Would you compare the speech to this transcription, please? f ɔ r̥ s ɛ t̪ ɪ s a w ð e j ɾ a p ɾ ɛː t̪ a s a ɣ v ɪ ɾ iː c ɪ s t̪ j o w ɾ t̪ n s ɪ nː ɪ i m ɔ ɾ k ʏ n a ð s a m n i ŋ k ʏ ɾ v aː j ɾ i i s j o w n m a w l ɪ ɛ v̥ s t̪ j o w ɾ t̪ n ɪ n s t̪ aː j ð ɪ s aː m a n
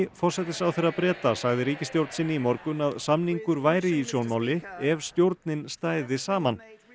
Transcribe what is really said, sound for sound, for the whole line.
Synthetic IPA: f ɔ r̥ s ɛ t̪ ɪ s a w θ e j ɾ a p ɾ ɛː t̪ a s a ɣ ð ɪ ɾ iː c ɪ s t̪ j o w ɾ t̪ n s ɪ nː ɪ i m ɔ ɾ k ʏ n a ð s a m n i ŋ k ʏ ɾ v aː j ɾ ɪ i s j o w n m a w l ɪ ɛ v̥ s t̪ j o w ɾ t̪ n ɪ n s t̪ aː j ð ɪ s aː m a n